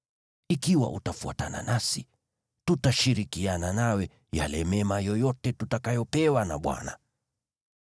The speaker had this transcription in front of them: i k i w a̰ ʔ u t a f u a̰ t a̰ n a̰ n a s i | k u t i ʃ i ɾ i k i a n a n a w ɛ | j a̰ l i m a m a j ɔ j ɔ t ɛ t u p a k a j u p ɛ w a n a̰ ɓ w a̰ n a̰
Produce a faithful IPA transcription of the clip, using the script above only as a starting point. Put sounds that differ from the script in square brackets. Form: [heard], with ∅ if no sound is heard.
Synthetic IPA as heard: i k i w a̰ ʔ u t a f u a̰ t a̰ n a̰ n a s i | [t] u t [a] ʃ i ɾ i k i a n a n a w ɛ | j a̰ l [ɛ] m [ɛ] m a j ɔ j ɔ t ɛ t u [t] a k a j [ɔ] p ɛ w a n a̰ ɓ w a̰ n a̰